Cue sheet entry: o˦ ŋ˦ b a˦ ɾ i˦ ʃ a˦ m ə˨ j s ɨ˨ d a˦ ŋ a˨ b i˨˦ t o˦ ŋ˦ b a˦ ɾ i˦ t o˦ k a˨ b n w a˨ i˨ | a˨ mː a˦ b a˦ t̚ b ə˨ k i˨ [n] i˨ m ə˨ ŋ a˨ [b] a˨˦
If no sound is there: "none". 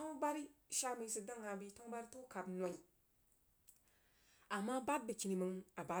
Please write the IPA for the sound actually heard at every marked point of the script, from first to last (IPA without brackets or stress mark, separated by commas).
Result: n, b